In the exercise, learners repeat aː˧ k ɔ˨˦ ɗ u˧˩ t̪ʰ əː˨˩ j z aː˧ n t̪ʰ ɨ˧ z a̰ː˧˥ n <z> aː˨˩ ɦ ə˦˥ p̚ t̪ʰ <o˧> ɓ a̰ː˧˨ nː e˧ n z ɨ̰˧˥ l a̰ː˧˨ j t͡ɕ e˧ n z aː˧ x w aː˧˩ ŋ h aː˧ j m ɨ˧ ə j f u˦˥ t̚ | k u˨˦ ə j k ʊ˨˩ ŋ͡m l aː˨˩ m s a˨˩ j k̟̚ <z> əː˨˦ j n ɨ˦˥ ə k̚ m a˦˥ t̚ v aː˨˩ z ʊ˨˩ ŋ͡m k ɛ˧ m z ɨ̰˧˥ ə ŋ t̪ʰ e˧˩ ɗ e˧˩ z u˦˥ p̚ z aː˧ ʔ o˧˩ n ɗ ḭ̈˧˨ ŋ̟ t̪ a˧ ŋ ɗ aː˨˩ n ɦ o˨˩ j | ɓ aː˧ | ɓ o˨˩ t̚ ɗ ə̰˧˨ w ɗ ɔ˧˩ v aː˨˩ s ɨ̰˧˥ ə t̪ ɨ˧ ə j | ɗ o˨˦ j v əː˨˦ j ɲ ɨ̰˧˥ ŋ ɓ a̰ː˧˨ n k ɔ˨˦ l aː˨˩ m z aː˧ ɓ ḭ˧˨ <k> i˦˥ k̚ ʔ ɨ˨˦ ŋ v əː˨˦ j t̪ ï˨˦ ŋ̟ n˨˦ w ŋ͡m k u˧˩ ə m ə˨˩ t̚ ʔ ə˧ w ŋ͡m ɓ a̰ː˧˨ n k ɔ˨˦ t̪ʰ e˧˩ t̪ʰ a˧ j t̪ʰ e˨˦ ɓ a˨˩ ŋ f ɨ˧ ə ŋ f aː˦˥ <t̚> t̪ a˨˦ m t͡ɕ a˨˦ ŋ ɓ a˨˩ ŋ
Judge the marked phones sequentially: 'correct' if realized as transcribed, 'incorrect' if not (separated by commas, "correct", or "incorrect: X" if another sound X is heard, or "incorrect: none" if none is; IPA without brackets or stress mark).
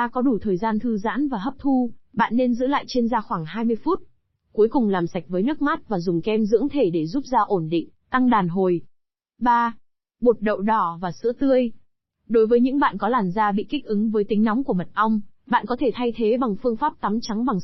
incorrect: v, incorrect: u˧, incorrect: v, correct, incorrect: p̚